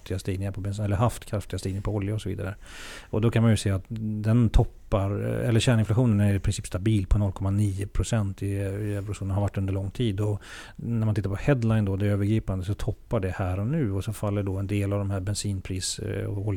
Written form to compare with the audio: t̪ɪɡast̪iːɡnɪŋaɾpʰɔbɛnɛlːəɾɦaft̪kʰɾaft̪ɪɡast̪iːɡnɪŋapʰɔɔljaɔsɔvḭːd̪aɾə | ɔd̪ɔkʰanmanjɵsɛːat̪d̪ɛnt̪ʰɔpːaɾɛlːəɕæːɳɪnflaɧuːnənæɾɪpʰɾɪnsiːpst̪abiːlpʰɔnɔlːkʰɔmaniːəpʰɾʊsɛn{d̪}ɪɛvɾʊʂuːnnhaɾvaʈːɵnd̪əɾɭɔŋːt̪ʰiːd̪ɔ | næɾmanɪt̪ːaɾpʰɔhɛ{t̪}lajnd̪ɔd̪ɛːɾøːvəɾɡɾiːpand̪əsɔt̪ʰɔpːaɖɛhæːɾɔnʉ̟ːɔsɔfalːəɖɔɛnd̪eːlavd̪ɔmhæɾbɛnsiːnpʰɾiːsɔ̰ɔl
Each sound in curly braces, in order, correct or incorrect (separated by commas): incorrect, incorrect